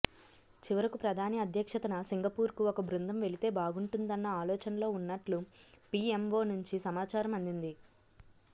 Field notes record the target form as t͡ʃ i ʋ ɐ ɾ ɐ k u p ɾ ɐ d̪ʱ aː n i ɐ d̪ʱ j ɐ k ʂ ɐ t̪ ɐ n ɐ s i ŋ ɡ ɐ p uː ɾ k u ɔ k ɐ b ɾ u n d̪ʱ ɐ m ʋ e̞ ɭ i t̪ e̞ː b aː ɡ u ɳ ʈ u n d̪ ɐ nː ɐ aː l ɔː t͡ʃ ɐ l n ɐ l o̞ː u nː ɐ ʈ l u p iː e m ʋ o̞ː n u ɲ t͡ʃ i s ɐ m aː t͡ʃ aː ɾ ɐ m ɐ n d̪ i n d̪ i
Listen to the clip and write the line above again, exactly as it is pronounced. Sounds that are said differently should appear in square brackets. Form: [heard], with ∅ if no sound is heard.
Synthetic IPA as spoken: t͡ʃ i ʋ ɐ ɾ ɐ k u p ɾ ɐ d̪ʱ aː n i ɐ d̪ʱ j ɐ k ʂ ɐ t̪ ɐ n ɐ s i ŋ ɡ ɐ p uː ɾ k u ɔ k ɐ b ɾ u n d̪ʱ ɐ m ʋ e̞ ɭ i t̪ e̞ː b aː ɡ u ɳ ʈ u n d̪ ɐ nː ɐ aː l ɔː t͡ʃ ɐ [∅] n ɐ l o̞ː u nː ɐ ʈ l u p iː e m ʋ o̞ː n u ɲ t͡ʃ i s ɐ m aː t͡ʃ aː ɾ ɐ m ɐ n d̪ i n d̪ i